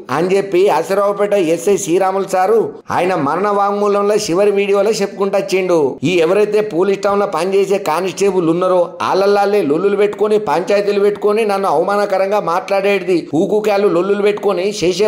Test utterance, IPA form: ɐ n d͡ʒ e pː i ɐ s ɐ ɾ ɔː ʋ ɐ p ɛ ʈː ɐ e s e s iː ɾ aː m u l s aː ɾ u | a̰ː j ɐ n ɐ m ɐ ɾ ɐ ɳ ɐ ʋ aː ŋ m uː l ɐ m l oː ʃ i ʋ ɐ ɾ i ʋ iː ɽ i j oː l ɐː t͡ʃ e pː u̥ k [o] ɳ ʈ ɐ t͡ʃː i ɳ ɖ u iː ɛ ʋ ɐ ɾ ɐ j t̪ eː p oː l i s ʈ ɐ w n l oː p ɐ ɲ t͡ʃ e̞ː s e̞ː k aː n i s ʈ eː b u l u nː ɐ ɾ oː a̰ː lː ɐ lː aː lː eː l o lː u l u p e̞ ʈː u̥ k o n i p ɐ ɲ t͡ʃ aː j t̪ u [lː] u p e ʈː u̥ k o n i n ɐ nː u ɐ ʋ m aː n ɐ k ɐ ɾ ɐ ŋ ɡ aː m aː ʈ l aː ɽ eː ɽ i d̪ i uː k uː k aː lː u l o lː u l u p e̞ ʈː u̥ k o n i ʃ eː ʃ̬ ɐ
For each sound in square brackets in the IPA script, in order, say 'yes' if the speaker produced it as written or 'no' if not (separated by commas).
no, no